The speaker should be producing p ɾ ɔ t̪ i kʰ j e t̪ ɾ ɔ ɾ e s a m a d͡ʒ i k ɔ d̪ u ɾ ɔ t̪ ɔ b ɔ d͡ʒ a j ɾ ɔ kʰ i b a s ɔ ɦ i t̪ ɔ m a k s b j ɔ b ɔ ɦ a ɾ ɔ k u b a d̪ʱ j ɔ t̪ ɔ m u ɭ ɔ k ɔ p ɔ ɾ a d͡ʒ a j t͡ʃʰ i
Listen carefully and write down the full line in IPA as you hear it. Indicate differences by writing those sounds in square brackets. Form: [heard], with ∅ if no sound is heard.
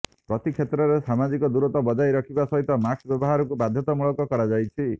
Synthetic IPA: p ɾ ɔ t̪ i kʰ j e t̪ ɾ ɔ ɾ e s a m a d͡ʒ i k ɔ d̪ u ɾ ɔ t̪ ɔ b ɔ d͡ʒ a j ɾ ɔ kʰ i b a s ɔ ɦ i t̪ ɔ m a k s b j ɔ b ɔ ɦ a ɾ ɔ k u b a d̪ʱ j ɔ t̪ ɔ m u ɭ ɔ k ɔ [k] ɔ ɾ a d͡ʒ a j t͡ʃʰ i